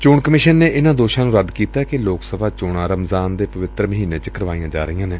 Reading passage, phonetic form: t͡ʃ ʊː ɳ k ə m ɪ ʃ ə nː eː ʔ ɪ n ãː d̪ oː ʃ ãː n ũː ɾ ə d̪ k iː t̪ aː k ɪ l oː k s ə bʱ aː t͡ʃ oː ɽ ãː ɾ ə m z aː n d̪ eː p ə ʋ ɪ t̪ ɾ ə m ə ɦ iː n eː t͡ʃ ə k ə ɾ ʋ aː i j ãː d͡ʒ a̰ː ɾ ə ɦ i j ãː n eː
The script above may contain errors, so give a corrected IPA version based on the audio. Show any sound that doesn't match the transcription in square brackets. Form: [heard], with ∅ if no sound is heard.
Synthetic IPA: t͡ʃ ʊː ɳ k ə m ɪ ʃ ə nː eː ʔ ɪ n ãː d̪ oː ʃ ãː n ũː ɾ ə d̪ k iː t̪ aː k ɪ l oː k s ə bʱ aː t͡ʃ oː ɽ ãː ɾ ə m z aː n d̪ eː p ə ʋ ɪ t̪ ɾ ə m ə ɦ iː n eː t͡ʃ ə k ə ɾ ʋ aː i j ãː d͡ʒ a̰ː ɾ ə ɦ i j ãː n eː